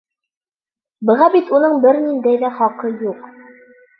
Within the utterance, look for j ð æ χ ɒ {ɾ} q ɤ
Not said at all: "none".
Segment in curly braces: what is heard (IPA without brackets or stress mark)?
none